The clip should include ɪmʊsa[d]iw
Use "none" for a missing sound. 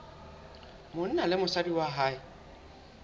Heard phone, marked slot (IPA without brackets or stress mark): d